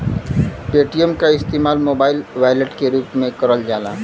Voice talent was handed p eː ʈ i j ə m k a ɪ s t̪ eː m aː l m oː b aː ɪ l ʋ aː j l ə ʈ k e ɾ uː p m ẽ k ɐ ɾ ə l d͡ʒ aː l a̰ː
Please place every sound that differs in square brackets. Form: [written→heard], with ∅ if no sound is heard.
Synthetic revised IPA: p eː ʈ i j ə m k a ɪ s t̪ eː m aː l m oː b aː ɪ l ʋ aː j l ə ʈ k e ɾ uː p m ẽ k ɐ ɾ ə l d͡ʒ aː l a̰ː